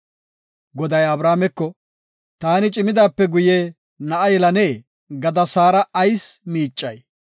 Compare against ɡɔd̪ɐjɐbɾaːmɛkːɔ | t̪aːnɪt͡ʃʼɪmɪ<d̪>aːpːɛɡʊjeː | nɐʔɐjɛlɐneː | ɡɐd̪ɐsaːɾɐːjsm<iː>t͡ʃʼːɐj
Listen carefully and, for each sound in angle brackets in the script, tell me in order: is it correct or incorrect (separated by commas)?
correct, correct